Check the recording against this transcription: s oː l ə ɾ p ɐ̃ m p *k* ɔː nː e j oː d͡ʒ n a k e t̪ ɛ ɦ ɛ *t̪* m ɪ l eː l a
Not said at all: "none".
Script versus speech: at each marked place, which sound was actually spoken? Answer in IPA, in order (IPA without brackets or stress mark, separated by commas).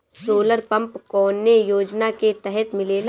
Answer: k, t̪